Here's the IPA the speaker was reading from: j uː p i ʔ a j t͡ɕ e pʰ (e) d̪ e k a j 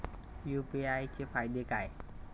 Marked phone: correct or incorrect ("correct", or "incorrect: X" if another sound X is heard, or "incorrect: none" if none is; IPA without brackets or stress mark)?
incorrect: a